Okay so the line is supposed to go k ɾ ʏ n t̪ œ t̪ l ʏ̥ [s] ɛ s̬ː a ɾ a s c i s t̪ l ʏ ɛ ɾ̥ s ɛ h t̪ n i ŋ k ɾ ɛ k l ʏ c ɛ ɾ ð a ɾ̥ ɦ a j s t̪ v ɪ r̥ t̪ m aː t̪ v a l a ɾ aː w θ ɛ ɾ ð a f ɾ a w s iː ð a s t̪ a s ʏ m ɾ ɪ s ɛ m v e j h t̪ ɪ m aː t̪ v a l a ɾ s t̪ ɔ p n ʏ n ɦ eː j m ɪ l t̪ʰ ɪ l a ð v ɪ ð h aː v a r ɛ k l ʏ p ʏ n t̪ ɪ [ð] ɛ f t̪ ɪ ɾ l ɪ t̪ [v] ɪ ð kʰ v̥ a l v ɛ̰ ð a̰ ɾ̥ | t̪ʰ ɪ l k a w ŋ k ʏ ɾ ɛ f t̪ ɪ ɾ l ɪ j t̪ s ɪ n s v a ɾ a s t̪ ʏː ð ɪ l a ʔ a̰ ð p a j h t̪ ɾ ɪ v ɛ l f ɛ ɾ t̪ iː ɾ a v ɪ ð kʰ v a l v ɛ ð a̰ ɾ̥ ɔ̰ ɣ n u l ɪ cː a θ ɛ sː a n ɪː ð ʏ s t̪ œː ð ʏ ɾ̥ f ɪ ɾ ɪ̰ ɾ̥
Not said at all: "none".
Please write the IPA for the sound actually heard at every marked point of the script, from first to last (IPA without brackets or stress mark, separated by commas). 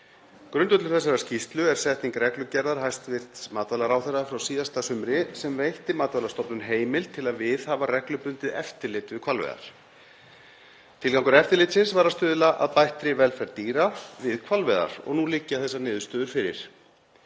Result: θ, ð, v